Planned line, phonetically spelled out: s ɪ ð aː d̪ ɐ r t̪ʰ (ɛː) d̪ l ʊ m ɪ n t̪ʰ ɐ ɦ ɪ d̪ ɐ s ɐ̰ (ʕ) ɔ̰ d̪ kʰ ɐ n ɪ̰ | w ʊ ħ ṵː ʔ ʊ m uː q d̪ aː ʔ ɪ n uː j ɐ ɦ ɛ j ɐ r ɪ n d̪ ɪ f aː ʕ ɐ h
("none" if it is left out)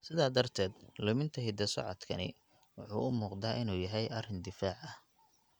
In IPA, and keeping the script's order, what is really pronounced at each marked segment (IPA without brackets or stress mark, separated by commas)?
ɛː, ʕ